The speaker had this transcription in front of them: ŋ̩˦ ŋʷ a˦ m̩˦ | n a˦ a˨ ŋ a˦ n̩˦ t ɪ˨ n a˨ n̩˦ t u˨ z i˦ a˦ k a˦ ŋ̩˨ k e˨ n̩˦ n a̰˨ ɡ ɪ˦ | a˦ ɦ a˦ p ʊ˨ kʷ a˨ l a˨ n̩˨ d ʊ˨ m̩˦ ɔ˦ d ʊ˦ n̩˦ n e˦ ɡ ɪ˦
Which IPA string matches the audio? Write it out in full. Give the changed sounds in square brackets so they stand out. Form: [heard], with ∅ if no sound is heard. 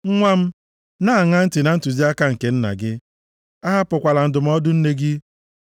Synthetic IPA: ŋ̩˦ ŋʷ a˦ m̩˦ | n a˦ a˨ ŋ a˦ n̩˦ t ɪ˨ n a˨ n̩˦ t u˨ z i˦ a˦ k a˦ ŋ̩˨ k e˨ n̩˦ n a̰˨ ɡ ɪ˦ | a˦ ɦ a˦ p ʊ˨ kʷ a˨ l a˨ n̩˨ d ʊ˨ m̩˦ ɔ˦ d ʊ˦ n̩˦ n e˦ ɡ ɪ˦